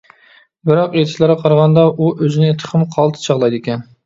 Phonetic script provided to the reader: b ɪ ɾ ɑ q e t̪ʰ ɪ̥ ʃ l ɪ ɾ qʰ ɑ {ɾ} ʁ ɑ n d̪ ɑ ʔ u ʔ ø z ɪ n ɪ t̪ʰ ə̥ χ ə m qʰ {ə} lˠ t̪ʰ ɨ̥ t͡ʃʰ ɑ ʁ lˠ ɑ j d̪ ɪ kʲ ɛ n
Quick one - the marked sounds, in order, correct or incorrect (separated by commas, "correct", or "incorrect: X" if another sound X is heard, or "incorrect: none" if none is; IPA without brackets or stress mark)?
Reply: correct, incorrect: ɑ